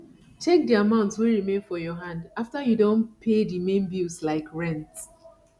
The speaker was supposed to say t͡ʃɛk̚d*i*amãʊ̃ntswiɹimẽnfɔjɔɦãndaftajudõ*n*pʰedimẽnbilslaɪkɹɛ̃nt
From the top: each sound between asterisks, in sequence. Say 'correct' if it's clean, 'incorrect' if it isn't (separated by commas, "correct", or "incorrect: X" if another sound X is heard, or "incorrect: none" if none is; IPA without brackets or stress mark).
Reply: correct, correct